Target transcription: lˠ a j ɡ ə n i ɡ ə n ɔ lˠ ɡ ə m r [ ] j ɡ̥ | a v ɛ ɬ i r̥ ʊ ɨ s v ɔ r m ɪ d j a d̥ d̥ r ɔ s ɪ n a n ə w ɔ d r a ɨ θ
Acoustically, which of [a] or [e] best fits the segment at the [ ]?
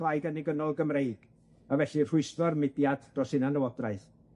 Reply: e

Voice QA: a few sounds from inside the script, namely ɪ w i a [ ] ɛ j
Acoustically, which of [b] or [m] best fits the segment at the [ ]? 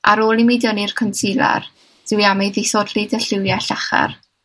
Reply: m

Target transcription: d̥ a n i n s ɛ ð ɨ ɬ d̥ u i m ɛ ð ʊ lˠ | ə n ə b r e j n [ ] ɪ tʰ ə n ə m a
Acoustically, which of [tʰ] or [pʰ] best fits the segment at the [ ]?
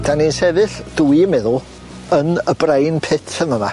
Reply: pʰ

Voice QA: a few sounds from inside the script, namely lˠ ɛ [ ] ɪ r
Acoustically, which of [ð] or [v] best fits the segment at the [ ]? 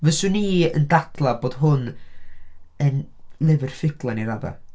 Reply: v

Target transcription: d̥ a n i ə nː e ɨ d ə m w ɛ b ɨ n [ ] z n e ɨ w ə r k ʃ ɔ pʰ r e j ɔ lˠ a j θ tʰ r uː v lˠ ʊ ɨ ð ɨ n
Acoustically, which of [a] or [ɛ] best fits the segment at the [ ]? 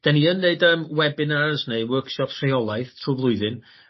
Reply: a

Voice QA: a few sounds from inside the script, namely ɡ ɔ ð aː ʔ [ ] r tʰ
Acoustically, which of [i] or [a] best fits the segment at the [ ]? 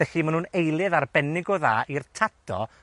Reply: i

